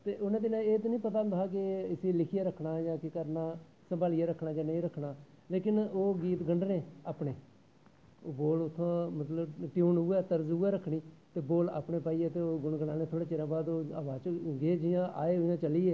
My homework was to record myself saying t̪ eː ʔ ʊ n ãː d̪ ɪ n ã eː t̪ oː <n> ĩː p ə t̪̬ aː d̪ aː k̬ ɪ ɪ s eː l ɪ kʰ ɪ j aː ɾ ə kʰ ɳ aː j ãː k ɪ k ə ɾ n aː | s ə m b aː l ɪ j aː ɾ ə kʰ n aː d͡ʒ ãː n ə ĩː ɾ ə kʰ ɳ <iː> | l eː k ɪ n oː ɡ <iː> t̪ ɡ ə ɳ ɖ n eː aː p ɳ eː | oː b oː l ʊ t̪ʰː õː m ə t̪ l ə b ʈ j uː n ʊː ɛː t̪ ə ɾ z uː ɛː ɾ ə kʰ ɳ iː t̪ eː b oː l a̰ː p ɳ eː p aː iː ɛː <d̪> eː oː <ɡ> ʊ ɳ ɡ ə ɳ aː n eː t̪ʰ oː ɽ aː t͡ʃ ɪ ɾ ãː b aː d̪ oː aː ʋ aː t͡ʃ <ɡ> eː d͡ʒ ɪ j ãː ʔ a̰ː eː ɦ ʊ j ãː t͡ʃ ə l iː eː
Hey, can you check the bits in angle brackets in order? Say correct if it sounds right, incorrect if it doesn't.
correct, incorrect, correct, incorrect, correct, correct

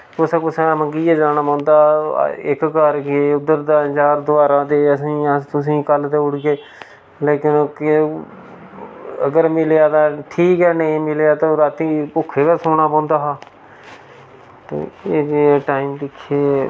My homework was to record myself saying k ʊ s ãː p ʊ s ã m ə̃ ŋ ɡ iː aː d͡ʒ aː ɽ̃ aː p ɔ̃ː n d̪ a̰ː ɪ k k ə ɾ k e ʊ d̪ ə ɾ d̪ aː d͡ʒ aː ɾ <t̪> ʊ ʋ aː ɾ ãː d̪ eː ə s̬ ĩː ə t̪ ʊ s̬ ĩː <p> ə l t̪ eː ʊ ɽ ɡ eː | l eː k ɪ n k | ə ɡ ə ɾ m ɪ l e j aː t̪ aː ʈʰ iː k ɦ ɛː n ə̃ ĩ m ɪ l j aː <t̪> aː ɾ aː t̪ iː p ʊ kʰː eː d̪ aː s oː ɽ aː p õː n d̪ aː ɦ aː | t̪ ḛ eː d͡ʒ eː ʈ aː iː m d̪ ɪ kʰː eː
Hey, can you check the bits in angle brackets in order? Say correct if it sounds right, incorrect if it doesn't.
incorrect, incorrect, correct

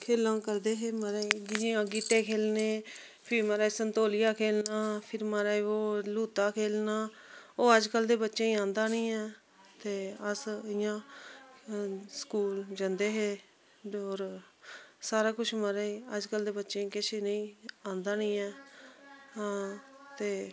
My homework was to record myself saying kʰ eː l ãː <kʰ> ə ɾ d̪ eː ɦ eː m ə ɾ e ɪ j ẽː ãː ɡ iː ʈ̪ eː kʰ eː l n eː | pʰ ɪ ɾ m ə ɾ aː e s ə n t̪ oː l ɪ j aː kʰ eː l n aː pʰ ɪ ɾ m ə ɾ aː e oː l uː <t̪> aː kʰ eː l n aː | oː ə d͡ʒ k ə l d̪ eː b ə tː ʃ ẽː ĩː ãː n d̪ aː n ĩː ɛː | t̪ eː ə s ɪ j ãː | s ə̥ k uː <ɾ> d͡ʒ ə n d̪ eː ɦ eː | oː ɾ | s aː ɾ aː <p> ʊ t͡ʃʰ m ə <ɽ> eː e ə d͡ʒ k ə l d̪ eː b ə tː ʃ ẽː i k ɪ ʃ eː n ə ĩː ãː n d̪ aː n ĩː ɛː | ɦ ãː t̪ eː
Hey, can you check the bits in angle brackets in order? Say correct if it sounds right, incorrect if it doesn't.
incorrect, correct, incorrect, incorrect, incorrect

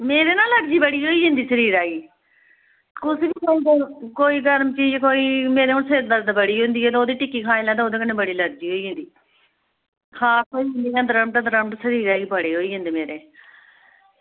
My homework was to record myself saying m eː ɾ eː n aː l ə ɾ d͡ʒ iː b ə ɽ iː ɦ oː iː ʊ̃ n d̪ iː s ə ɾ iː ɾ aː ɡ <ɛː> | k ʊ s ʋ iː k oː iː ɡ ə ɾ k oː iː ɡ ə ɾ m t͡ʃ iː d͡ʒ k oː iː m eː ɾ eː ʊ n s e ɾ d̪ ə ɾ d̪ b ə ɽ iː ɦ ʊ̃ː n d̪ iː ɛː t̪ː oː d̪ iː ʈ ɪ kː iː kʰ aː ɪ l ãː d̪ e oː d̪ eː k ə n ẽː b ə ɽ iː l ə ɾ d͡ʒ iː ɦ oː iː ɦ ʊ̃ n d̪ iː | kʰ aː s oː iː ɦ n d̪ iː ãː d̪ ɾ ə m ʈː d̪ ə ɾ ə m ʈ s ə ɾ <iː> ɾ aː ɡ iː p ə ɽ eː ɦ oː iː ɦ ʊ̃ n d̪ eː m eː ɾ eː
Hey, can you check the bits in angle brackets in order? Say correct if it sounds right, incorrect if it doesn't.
incorrect, correct

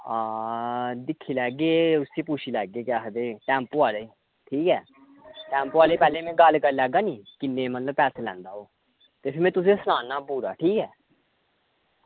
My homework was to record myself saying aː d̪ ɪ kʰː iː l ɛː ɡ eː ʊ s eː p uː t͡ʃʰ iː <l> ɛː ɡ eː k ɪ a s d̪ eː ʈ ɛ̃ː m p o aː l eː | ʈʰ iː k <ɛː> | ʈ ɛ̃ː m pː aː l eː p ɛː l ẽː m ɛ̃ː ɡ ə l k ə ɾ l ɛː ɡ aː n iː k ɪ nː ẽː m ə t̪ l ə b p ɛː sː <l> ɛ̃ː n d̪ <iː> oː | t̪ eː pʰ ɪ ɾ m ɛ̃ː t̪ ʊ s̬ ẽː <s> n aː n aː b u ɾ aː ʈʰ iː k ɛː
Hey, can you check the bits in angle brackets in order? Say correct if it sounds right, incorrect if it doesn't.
correct, correct, correct, incorrect, correct

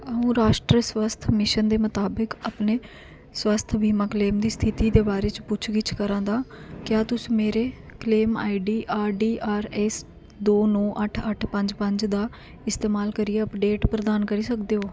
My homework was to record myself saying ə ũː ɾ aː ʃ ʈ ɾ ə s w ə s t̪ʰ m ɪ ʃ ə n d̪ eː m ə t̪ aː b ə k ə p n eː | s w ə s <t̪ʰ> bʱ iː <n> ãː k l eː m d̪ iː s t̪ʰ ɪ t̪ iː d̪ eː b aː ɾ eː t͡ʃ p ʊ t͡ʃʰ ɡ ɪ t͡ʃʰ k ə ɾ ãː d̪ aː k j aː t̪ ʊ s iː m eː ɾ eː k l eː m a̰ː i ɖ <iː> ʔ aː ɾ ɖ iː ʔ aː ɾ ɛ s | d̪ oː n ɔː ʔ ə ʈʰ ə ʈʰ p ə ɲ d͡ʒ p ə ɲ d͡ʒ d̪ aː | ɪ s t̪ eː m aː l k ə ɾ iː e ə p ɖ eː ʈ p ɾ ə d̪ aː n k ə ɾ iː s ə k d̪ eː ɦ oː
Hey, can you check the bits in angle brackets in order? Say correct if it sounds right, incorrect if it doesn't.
correct, incorrect, correct

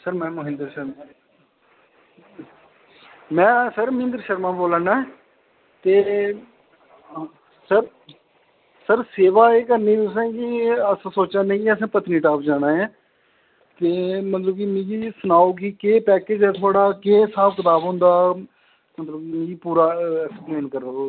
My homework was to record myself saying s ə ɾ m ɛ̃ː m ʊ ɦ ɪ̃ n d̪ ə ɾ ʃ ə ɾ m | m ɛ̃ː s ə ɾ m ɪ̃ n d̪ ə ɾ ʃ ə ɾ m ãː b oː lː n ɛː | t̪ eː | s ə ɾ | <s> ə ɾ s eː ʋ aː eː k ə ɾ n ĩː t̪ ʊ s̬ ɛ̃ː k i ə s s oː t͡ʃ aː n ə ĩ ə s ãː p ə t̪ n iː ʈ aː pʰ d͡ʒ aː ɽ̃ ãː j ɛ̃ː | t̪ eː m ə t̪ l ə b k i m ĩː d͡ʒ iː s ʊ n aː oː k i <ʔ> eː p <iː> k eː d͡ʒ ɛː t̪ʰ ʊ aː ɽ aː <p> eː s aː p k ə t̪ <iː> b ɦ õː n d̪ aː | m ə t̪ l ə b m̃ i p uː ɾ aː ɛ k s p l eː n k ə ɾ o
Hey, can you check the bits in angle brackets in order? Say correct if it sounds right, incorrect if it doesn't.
correct, incorrect, incorrect, incorrect, incorrect

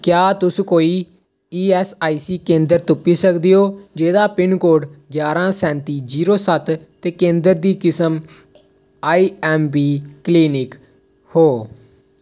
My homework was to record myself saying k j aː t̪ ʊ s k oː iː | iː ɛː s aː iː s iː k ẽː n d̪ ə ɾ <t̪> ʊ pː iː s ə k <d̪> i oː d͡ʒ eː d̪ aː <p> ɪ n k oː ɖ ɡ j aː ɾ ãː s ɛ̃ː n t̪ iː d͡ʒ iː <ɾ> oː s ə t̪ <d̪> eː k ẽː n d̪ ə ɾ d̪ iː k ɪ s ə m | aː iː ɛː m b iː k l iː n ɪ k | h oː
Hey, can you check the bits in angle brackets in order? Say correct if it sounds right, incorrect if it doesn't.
correct, correct, correct, correct, incorrect

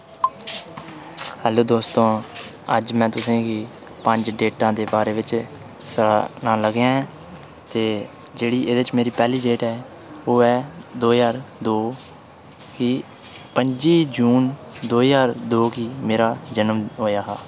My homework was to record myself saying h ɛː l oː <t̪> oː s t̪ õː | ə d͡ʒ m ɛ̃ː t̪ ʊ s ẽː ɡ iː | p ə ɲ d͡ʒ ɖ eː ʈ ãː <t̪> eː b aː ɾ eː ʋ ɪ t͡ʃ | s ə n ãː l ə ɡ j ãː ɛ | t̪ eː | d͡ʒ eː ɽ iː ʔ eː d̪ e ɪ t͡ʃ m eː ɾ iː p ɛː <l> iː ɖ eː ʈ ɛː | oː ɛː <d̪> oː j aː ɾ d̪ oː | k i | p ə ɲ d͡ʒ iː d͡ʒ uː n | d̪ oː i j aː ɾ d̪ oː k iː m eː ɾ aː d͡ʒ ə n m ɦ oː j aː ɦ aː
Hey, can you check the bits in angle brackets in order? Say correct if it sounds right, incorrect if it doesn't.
incorrect, incorrect, correct, correct

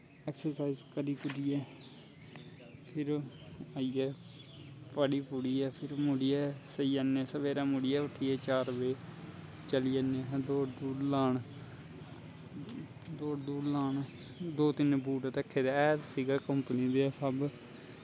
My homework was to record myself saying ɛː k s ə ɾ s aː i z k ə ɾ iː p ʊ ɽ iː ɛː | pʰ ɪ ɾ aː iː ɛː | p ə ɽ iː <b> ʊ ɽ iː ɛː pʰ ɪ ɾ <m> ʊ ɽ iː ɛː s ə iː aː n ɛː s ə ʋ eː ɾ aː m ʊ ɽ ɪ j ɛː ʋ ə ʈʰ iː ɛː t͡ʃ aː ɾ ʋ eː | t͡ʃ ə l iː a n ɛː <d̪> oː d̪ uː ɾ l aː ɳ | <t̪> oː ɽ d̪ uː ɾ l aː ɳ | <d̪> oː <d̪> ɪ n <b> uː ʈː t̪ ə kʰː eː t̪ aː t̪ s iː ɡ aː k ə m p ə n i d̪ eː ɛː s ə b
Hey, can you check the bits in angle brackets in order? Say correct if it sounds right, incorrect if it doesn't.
incorrect, correct, correct, incorrect, correct, incorrect, correct

